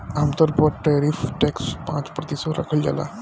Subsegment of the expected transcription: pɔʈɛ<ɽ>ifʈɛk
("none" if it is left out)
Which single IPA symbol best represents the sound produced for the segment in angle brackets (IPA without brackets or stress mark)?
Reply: ɾ